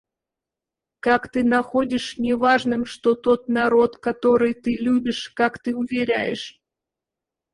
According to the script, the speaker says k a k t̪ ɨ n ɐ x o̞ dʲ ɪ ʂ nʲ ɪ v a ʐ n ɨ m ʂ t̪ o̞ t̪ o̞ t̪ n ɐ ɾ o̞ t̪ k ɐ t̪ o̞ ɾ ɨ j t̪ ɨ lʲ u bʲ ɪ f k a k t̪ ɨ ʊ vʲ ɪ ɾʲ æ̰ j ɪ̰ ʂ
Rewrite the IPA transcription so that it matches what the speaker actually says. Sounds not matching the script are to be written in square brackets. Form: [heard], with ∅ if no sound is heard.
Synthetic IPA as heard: k a k t̪ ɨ n ɐ x o̞ dʲ ɪ ʂ nʲ ɪ v a ʐ n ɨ m ʂ t̪ o̞ t̪ o̞ t̪ n ɐ ɾ o̞ t̪ k ɐ t̪ o̞ ɾ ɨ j t̪ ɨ lʲ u bʲ ɪ [ʂ] k a k t̪ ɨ ʊ vʲ ɪ ɾʲ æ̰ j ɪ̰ ʂ